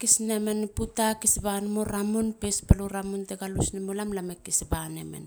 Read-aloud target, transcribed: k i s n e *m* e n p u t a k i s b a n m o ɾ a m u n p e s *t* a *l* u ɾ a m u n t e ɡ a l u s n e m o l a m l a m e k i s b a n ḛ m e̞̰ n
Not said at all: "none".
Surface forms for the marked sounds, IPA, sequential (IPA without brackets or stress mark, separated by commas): m, p, l